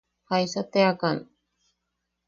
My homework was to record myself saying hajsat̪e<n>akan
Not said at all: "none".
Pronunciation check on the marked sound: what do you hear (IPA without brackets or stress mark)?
none